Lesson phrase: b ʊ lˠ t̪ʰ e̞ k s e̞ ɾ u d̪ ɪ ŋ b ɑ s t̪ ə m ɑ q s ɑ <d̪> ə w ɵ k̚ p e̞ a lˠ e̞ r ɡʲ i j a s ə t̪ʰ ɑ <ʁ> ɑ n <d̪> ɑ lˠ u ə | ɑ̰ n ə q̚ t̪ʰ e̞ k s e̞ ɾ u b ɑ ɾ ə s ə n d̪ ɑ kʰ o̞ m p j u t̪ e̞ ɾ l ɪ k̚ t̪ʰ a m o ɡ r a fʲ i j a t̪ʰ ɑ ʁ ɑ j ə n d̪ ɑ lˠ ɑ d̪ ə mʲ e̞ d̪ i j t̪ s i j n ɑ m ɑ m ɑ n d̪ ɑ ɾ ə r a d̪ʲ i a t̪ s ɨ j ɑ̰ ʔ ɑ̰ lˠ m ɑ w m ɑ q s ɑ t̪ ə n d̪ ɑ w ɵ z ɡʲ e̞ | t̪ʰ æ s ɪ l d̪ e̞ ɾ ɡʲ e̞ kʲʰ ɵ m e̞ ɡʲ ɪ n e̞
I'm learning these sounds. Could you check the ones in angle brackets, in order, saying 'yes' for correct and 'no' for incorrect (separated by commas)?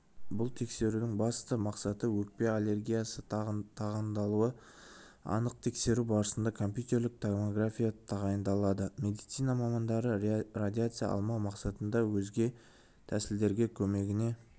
no, yes, yes